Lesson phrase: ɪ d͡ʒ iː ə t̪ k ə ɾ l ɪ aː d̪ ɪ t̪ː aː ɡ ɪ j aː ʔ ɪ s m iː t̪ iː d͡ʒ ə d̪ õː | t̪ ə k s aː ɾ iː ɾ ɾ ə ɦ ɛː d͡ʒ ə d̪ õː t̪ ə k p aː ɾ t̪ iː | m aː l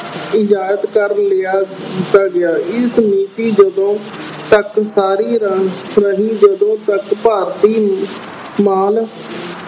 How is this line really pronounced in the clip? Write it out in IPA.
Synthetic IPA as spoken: ɪ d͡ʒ aː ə t̪ k ə ɾ l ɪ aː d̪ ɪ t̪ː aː ɡ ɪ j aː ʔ ɪ s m iː t̪ iː d͡ʒ ə d̪ õː | t̪ ə k s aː ɾ iː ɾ ɾ ə ɦ iː d͡ʒ ə d̪ õː t̪ ə k p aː ɾ t̪ iː | m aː l